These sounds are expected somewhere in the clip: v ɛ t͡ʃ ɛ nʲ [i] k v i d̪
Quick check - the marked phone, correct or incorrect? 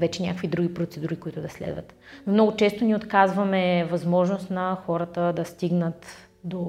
incorrect